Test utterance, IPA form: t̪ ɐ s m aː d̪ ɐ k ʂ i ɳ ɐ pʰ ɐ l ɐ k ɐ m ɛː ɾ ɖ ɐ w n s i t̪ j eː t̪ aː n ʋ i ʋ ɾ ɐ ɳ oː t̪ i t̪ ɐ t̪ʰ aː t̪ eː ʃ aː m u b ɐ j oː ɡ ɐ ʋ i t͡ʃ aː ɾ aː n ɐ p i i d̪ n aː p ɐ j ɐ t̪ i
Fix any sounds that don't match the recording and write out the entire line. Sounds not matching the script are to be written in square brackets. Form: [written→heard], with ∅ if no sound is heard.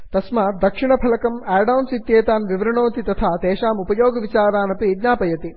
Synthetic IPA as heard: t̪ ɐ s m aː d̪ ɐ k ʂ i ɳ ɐ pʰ ɐ l ɐ k ɐ m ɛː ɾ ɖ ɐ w n s i t̪ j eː t̪ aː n ʋ i ʋ ɾ ɐ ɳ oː t̪ i t̪ ɐ t̪ʰ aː t̪ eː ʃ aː m u [b→p] ɐ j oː ɡ ɐ ʋ i t͡ʃ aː ɾ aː n ɐ p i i d̪ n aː p ɐ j ɐ t̪ i